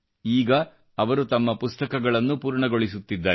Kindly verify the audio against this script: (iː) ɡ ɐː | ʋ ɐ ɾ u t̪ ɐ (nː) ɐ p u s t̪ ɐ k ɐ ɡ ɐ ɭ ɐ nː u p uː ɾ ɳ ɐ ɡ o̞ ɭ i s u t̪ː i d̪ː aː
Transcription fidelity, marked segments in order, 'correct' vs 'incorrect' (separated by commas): correct, incorrect